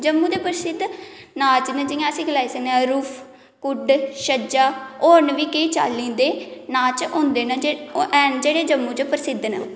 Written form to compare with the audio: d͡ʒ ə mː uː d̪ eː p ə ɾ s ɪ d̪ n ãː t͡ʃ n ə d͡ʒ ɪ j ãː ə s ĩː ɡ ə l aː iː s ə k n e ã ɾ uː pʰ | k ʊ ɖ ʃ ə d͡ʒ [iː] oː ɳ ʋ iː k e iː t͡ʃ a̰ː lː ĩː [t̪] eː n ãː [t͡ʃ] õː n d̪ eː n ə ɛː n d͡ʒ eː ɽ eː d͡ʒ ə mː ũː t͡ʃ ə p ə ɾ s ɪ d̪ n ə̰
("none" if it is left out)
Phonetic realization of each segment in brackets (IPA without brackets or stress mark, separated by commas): aː, d̪, t͡ʃ